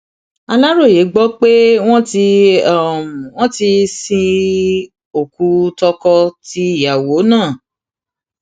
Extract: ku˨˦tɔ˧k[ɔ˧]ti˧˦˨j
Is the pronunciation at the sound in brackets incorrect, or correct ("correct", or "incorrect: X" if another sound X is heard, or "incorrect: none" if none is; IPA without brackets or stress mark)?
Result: correct